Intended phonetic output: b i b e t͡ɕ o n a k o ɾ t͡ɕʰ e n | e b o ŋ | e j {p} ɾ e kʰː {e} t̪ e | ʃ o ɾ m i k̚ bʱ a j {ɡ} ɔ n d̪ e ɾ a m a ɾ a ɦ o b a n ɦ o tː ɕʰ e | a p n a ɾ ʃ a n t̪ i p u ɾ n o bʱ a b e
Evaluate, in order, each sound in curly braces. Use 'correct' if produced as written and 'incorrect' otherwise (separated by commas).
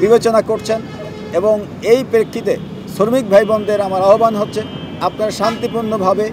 correct, incorrect, incorrect